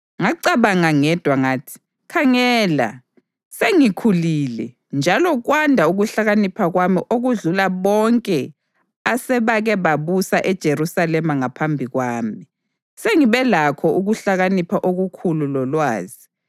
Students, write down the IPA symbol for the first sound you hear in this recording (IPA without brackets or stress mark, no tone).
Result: ŋ